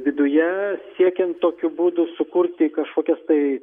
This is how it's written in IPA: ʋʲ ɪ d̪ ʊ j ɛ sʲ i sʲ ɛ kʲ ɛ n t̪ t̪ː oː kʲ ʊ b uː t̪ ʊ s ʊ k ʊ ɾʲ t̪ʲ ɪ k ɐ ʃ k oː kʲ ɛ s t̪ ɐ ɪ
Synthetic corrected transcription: ʋʲ ɪ d̪ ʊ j ɛ sʲ i ɛ kʲ ɛ n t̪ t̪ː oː kʲ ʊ b uː d̪ ʊ s ʊ k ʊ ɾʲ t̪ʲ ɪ k ɐ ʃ k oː kʲ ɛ s t̪ ɐ ɪ